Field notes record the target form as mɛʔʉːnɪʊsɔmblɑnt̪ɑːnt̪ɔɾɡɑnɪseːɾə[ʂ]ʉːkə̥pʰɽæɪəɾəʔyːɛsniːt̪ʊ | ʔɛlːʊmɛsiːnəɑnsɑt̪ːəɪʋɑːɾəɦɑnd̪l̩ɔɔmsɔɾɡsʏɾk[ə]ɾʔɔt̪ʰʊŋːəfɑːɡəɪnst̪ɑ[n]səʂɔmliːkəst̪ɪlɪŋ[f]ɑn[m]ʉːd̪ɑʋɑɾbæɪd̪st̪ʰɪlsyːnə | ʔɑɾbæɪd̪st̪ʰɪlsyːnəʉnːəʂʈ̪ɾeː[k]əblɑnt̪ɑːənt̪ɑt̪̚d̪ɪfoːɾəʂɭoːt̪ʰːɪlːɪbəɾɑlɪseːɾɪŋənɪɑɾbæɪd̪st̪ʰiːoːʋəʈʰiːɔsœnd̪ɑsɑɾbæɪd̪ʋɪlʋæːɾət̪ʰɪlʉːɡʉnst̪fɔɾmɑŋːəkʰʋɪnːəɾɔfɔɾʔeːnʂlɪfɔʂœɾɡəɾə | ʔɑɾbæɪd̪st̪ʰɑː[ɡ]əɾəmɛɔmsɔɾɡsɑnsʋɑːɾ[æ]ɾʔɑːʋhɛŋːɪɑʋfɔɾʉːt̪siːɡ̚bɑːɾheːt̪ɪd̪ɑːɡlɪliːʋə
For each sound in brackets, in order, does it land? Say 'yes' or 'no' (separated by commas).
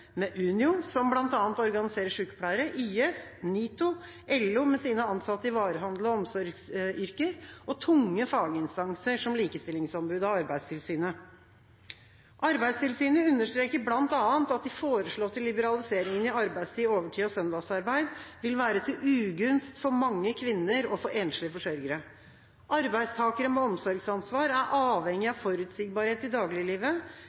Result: yes, yes, no, no, no, yes, no, yes